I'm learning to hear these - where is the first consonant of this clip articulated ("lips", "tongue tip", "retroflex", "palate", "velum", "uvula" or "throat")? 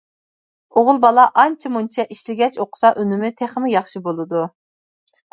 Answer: uvula